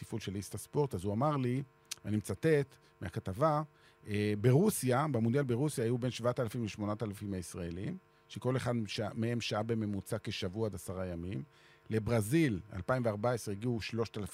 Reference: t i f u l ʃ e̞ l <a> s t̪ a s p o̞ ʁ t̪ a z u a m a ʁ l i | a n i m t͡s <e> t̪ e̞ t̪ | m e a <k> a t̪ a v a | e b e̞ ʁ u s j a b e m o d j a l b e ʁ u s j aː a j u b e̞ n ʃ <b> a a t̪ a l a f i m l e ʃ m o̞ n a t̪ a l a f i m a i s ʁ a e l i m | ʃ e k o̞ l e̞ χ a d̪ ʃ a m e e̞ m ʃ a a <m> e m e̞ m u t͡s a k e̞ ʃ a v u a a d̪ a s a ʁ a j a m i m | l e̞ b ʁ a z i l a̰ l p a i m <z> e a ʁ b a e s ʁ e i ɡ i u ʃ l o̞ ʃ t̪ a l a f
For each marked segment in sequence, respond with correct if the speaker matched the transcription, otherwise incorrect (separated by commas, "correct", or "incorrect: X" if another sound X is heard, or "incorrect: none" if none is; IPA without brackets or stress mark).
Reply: incorrect: i, incorrect: a, correct, incorrect: v, incorrect: b, incorrect: v